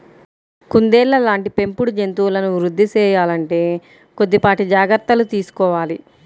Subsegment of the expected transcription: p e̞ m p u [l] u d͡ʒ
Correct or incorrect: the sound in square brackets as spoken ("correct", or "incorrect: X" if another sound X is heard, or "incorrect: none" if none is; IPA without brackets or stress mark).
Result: incorrect: ɽ